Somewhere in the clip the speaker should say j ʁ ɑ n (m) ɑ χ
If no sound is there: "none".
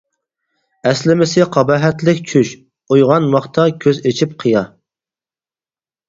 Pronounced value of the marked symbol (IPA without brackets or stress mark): m